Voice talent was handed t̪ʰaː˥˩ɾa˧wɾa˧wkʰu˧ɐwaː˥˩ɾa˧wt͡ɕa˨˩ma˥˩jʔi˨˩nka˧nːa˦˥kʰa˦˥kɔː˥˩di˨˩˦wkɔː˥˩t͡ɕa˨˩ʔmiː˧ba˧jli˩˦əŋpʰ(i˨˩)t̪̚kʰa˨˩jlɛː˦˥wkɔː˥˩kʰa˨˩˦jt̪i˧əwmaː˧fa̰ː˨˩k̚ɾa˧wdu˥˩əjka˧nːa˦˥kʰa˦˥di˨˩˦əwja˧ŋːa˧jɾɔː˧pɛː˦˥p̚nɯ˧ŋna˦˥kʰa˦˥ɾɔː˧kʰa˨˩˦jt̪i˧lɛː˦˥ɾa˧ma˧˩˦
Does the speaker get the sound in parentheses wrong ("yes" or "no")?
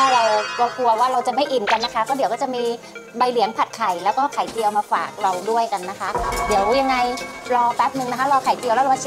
yes